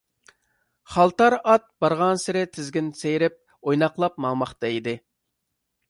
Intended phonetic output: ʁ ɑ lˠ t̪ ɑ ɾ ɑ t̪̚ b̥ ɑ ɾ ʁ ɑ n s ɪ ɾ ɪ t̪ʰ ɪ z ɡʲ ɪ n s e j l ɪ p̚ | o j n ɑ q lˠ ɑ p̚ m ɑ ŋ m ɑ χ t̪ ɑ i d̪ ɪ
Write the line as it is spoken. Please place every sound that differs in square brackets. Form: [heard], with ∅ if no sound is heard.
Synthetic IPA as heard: [χ] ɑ lˠ t̪ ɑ ɾ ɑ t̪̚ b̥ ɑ ɾ ʁ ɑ n s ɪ ɾ ɪ t̪ʰ ɪ z ɡʲ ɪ n s e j [ɾ] ɪ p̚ | o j n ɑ q lˠ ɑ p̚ m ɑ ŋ m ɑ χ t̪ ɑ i d̪ ɪ